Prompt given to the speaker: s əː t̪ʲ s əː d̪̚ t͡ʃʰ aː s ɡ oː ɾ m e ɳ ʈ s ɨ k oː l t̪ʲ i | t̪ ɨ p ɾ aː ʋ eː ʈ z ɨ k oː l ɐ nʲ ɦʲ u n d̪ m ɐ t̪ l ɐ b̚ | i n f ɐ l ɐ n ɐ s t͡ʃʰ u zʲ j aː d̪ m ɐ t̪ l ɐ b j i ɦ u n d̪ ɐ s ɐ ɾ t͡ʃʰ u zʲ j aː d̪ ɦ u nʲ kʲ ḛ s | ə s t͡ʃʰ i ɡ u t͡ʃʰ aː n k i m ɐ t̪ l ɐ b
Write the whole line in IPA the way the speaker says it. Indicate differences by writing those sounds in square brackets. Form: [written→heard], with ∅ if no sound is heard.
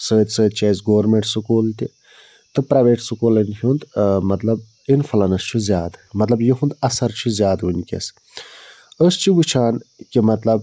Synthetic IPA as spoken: s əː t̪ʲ s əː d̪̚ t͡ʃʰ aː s ɡ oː ɾ m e ɳ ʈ s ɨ k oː l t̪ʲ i | t̪ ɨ p ɾ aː ʋ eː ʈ [z→s] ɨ k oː l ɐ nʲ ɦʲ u n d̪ m ɐ t̪ l ɐ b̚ | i n f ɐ l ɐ n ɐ s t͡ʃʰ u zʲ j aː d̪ m ɐ t̪ l ɐ b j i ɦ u n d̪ ɐ s ɐ ɾ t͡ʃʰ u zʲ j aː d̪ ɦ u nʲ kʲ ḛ s | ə s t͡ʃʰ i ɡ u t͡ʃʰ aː n k i m ɐ t̪ l ɐ b